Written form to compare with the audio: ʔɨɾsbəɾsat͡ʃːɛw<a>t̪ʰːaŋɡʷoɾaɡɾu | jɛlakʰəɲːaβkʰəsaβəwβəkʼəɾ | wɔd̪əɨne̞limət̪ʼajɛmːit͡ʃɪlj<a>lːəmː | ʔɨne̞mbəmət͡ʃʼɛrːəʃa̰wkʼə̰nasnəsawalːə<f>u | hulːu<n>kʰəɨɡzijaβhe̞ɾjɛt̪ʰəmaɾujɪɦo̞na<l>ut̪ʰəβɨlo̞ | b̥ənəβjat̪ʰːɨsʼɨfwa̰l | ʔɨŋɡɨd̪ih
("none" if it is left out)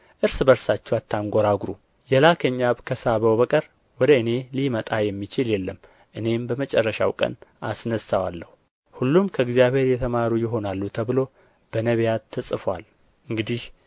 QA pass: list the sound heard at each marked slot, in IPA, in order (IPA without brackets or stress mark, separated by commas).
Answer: a, ɛ, h, m, lː